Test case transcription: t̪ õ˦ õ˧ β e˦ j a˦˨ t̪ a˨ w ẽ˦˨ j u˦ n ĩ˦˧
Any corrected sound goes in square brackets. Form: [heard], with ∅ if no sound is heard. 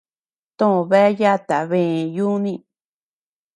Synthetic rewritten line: t̪ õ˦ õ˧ β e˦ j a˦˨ t̪ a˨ [β] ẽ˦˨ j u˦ n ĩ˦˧